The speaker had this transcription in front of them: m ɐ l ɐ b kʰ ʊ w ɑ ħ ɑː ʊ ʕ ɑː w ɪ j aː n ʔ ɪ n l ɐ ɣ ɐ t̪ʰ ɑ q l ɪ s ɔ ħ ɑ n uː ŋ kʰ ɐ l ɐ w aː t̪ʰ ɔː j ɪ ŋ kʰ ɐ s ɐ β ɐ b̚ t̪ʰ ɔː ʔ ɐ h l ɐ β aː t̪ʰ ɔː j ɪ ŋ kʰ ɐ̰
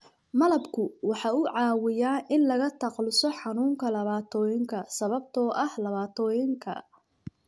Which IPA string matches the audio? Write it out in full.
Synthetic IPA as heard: m ɐ l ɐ b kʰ ʊ w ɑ ħ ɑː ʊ ʕ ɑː w ɪ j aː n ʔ ɪ n l ɐ ɣ ɐ t̪ʰ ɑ q l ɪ s ɔ ħ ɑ n uː ŋ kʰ ɐ l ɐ β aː t̪ʰ ɔː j ɪ ŋ kʰ ɐ s ɐ β ɐ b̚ t̪ʰ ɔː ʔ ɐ h l ɐ β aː t̪ʰ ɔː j ɪ ŋ kʰ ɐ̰

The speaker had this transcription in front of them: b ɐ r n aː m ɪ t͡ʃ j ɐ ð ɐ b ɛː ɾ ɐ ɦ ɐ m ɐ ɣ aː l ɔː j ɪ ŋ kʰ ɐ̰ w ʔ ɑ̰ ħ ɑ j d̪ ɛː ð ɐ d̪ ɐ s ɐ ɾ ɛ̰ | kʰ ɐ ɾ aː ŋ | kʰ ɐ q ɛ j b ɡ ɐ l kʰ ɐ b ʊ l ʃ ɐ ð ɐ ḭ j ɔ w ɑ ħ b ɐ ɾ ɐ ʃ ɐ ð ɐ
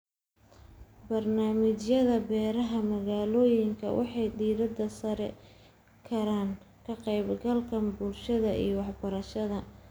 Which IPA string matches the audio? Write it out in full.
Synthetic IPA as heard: b ɐ r n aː m ɪ t͡ʃ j ɐ ð ɐ b ɛː ɾ ɐ ɦ ɐ m ɐ ɣ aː l ɔː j ɪ ŋ kʰ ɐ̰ w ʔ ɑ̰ ħ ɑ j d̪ iː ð ɐ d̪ ɐ s ɐ ɾ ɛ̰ | kʰ ɐ ɾ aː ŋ | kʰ ɐ q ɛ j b ɡ ɐ l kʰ ɐ b ʊ l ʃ ɐ ð ɐ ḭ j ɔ w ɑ ħ b ɐ ɾ ɐ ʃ ɐ ð ɐ

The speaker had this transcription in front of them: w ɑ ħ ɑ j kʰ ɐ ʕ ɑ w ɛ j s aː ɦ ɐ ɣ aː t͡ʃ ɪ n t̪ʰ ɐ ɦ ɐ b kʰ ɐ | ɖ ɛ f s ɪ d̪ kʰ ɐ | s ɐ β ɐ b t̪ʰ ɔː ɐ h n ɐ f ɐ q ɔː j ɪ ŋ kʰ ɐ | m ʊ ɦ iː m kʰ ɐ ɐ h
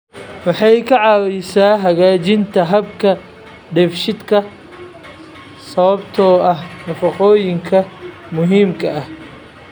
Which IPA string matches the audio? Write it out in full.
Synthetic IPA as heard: w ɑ ħ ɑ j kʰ ɐ ʕ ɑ w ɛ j s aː ɦ ɐ ɣ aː t͡ʃ ɪ n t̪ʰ ɐ ɦ ɐ b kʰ ɐ | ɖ ɛ f ʃ ɪ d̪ kʰ ɐ | s ɐ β ɐ b t̪ʰ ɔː ɐ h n ɐ f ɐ q ɔː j ɪ ŋ kʰ ɐ | m ʊ ɦ iː m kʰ ɐ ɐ h

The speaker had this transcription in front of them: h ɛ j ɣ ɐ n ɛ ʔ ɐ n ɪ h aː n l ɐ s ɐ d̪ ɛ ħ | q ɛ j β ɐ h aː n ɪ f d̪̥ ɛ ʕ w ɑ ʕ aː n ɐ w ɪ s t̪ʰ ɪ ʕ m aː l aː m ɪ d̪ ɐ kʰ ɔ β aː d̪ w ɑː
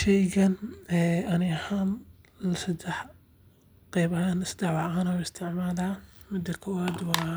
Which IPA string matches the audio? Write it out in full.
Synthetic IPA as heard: ʃ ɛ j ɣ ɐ n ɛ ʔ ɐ n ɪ h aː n l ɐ s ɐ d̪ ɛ ħ | q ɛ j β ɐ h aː n ɪ s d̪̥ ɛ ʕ w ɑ ʕ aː n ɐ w ɪ s t̪ʰ ɪ ʕ m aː l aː m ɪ d̪ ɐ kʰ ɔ w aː d̪ w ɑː

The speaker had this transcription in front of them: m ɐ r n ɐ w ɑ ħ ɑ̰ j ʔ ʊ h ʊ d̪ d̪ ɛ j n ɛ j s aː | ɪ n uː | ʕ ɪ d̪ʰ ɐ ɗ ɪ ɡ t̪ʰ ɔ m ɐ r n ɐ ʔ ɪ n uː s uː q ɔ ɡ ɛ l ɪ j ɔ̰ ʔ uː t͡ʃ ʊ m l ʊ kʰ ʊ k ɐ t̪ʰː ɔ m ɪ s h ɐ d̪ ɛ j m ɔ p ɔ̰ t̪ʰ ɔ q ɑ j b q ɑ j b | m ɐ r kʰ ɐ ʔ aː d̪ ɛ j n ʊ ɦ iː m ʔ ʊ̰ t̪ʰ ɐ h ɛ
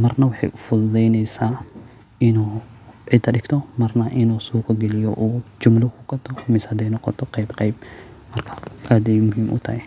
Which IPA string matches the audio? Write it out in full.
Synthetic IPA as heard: m ɐ r n ɐ w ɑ ħ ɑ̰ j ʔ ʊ f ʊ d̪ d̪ ɛ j n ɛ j s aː | ɪ n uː | ʕ ɪ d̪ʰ ɐ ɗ ɪ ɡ t̪ʰ ɔ m ɐ r n ɐ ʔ ɪ n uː s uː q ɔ ɡ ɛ l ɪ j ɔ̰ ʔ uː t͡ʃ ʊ m l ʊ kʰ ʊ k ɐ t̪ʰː ɔ m ɪ s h ɐ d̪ ɛ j n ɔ q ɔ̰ t̪ʰ ɔ q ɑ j b q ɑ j b | m ɐ r kʰ ɐ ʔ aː d̪ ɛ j m ʊ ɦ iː m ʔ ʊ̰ t̪ʰ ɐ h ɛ

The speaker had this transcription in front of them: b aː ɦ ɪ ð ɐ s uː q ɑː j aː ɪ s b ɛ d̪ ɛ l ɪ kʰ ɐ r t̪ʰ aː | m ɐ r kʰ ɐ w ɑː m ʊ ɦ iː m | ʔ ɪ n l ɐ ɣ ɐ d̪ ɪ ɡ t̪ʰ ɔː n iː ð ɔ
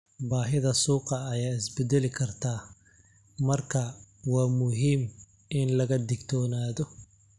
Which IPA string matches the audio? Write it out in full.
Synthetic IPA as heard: b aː ɦ ɪ ð ɐ s uː q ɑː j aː ɪ s b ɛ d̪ ɛ l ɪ kʰ ɐ r t̪ʰ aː | m ɐ r kʰ ɐ w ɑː m ʊ ɦ iː m | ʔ ɪ n l ɐ ɣ ɐ d̪ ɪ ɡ t̪ʰ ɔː n aː ð ɔ

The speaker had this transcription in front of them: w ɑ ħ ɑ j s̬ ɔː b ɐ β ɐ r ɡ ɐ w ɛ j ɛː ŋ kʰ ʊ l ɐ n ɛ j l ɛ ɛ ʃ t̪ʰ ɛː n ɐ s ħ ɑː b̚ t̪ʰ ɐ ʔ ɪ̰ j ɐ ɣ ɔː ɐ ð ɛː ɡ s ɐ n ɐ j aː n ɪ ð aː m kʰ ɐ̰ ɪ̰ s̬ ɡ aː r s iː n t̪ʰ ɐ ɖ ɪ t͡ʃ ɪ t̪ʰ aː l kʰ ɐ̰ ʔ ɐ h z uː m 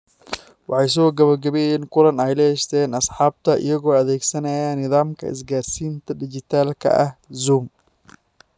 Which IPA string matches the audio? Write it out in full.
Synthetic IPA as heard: w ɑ ħ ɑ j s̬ ɔː ɡ ɐ β ɐ r ɡ ɐ β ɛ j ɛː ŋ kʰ ʊ l ɐ n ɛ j l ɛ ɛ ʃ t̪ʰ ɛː n ɐ s ħ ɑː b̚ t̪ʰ ɐ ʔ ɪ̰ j ɐ ɣ ɔː ɐ ð ɛː ɡ s ɐ n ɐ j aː n ɪ ð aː m kʰ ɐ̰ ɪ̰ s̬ ɡ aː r s iː n t̪ʰ ɐ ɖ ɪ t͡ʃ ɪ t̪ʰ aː l kʰ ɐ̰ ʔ ɐ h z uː m

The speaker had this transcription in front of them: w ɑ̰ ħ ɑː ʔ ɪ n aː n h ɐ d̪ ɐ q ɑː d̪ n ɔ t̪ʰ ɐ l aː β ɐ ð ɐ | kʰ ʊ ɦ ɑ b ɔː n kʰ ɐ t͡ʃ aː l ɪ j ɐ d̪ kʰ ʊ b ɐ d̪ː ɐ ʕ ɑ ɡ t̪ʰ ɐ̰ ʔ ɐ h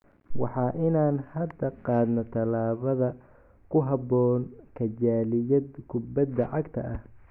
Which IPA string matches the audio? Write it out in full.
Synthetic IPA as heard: w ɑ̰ ħ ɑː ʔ ɪ n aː n h ɐ d̪ ɐ q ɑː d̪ n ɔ t̪ʰ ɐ l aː β ɐ ð ɐ | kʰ ʊ ɦ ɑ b ɔː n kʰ ɐ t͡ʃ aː l ɪ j ɐ d̪ kʰ ʊ b ɐ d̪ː ɐ ʕ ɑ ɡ t̪ʰ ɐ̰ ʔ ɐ h

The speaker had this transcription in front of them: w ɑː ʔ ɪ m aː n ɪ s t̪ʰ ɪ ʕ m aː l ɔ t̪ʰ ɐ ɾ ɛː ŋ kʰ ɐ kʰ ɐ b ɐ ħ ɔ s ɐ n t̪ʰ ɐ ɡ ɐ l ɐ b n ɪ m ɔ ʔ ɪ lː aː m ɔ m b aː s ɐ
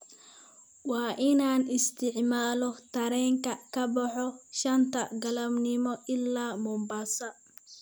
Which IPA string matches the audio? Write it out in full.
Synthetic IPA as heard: w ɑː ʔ ɪ n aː n ɪ s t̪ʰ ɪ ʕ m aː l ɔ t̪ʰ ɐ ɾ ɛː ŋ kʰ ɐ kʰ ɐ b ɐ ħ ɔ ʃ ɐ n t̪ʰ ɐ ɡ ɐ l ɐ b n ɪ m ɔ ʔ ɪ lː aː m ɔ m b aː s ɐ

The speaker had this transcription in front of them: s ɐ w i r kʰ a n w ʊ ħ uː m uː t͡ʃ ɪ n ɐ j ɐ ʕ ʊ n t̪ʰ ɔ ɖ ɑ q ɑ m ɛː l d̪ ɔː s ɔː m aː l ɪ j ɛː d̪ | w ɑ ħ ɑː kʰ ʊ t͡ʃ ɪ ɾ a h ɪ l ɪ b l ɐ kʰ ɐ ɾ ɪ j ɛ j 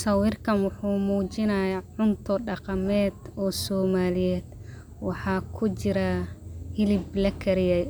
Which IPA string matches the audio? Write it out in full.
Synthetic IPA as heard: s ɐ w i r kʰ ɐ n w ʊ ħ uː m uː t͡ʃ ɪ n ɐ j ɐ ʕ ʊ n t̪ʰ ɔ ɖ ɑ q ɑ m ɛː d̪ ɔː s ɔː m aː l ɪ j ɛː d̪ | w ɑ ħ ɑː kʰ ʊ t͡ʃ ɪ ɾ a h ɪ l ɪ b l ɐ kʰ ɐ ɾ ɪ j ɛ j

